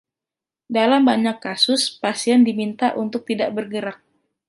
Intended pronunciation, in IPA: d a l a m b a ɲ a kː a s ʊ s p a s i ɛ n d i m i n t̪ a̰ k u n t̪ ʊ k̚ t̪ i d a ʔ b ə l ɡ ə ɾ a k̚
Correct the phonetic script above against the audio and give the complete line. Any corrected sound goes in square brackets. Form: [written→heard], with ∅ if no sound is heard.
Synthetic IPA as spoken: d a l a m b a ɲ a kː a s ʊ s p a s i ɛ n d i m i n t̪ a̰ [k→ʔ] u n t̪ ʊ k̚ t̪ i d a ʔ b ə [l→r] ɡ ə ɾ a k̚